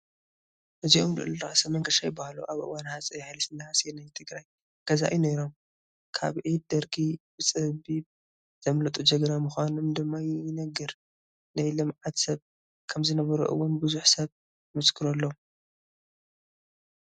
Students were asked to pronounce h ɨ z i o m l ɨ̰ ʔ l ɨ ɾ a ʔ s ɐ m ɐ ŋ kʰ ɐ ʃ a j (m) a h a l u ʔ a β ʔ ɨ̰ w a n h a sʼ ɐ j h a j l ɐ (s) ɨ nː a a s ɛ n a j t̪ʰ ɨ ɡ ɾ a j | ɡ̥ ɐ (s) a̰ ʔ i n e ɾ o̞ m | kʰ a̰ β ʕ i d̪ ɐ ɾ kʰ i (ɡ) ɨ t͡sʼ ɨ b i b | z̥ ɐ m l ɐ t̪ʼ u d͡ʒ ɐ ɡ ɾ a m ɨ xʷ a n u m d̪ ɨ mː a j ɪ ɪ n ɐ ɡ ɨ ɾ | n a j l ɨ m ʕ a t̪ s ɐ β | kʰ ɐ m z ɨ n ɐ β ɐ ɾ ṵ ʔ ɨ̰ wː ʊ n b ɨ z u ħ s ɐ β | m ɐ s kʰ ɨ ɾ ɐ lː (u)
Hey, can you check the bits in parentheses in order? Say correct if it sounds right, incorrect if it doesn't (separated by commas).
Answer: incorrect, correct, incorrect, incorrect, incorrect